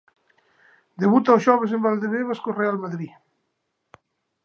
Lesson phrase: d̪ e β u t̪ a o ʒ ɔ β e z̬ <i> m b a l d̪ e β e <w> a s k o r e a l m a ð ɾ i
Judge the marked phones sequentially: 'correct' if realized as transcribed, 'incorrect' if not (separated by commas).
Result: incorrect, incorrect